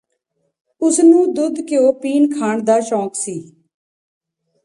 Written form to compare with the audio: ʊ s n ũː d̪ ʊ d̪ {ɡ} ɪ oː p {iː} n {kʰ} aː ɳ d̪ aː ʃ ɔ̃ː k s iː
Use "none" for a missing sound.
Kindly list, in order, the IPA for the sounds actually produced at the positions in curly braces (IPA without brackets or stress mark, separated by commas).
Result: k, iː, kʰ